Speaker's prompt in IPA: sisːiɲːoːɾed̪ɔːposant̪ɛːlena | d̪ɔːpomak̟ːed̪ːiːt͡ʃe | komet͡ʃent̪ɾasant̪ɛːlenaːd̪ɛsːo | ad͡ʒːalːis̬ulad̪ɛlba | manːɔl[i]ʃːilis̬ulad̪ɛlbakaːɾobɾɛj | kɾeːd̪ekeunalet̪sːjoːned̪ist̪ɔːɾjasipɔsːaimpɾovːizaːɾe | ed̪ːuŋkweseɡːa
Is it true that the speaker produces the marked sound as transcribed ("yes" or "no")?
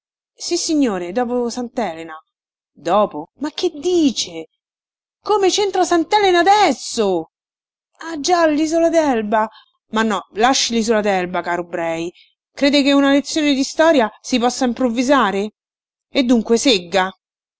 no